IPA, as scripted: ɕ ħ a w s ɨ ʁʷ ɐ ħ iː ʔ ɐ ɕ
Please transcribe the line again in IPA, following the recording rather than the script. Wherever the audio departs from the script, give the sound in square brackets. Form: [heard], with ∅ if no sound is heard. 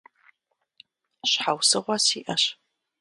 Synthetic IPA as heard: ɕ ħ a w s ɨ ʁʷ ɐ [s] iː ʔ ɐ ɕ